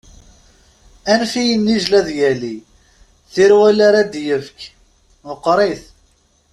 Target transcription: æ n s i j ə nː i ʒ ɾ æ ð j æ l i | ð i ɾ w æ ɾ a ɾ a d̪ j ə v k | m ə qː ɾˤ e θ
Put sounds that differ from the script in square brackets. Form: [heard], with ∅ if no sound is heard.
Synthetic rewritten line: æ n [f] i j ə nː i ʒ [l] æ ð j æ l i | [θ] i ɾ w æ [l] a ɾ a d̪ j ə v k | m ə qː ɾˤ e θ